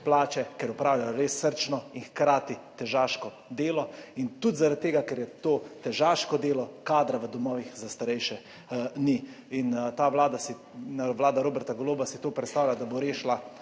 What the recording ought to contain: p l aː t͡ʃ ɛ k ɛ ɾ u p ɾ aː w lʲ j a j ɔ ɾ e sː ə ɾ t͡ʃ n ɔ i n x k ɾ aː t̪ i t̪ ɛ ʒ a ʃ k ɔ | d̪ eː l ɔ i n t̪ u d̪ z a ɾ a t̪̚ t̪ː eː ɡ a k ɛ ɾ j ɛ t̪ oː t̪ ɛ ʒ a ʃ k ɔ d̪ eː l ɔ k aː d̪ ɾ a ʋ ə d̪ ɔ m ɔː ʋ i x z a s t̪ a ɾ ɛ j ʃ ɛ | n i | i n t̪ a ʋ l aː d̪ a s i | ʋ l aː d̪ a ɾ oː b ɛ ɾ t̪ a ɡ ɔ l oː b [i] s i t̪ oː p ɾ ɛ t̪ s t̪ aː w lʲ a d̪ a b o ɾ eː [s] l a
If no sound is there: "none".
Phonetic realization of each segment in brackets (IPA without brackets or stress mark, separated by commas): a, ʃ